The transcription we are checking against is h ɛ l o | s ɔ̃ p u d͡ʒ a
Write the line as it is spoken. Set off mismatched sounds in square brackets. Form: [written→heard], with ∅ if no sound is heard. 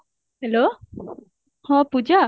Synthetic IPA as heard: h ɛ l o | [s→h] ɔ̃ p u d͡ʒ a